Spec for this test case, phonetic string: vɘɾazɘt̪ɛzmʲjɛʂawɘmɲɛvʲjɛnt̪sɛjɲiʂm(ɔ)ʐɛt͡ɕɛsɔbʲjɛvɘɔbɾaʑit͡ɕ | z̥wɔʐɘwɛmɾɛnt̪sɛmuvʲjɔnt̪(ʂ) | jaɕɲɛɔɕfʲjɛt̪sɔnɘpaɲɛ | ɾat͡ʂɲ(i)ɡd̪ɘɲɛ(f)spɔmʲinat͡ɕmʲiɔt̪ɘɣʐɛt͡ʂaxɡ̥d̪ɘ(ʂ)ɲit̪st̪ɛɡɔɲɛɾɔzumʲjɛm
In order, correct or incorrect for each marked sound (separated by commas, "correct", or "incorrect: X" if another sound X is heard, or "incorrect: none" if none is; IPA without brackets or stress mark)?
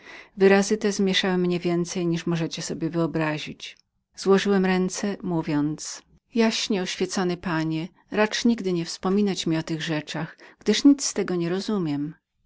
correct, incorrect: s, correct, correct, correct